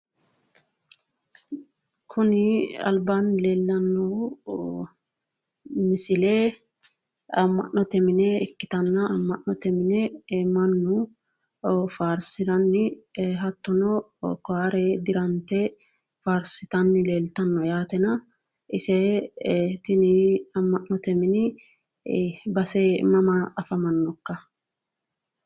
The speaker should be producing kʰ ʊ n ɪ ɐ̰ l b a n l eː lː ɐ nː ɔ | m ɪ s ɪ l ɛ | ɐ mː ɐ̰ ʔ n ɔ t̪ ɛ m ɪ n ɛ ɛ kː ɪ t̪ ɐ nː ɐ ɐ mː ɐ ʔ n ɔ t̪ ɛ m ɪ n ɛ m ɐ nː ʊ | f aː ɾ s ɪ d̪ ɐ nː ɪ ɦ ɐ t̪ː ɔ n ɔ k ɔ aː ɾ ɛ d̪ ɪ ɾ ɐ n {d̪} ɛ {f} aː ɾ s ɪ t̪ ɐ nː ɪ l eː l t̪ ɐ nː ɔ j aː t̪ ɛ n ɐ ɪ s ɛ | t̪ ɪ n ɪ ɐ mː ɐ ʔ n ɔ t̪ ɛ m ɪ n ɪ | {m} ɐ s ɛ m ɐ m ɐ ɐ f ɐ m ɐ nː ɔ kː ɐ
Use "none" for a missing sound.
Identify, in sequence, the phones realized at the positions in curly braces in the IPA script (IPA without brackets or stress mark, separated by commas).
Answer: t̪, f, b